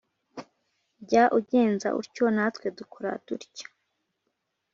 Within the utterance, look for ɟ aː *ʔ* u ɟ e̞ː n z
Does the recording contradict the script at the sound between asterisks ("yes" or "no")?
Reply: no